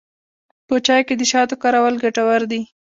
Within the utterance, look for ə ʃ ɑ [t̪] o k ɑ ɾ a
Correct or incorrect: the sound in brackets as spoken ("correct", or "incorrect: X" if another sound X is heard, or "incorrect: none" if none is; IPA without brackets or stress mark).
correct